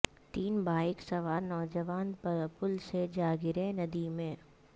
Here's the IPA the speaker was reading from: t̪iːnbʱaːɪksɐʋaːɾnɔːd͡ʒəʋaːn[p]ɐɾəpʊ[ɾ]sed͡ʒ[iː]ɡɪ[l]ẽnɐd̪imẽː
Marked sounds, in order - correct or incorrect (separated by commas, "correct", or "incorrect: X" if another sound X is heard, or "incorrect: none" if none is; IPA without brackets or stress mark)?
correct, incorrect: l, incorrect: aː, incorrect: ɾ